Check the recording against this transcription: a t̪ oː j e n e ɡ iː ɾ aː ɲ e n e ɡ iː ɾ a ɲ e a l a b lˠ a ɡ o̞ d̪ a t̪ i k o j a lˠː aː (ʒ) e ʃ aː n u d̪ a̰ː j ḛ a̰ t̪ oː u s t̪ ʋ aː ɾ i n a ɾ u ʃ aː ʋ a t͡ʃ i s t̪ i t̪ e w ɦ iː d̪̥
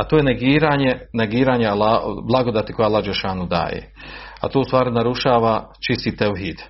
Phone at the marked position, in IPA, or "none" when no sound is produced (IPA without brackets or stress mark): d͡ʒ